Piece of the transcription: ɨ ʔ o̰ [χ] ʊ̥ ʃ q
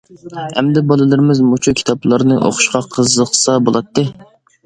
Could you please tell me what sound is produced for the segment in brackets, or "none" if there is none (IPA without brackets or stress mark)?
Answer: χ